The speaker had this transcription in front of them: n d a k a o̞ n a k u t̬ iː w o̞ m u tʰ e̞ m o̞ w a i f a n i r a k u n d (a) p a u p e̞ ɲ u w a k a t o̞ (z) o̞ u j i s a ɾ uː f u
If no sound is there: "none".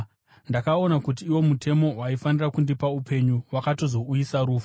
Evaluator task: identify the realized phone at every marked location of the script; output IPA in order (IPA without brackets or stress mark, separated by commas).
i, z